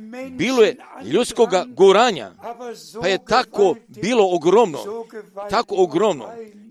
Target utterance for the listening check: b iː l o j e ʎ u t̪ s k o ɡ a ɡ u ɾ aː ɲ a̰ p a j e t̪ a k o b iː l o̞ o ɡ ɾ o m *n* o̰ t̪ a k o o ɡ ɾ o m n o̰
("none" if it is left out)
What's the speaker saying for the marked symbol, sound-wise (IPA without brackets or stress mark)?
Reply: n